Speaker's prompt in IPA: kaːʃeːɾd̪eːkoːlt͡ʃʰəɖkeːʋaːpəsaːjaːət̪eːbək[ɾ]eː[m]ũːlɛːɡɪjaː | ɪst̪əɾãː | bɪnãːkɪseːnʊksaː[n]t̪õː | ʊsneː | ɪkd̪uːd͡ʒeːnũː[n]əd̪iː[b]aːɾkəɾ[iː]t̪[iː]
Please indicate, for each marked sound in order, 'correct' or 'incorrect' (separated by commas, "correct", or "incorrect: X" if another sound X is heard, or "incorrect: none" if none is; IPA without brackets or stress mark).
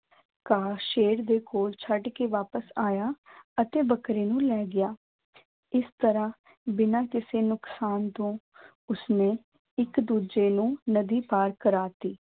correct, incorrect: n, correct, correct, incorrect: p, incorrect: aː, correct